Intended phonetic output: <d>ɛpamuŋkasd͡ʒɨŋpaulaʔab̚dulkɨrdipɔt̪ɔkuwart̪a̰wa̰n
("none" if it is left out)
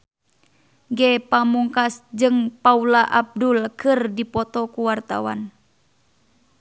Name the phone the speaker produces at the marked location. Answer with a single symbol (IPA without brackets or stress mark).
ɡ